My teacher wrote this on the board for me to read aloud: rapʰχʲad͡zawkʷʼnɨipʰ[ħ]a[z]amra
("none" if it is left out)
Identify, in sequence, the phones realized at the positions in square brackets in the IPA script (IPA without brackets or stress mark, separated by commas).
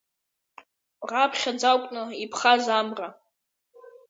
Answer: χ, z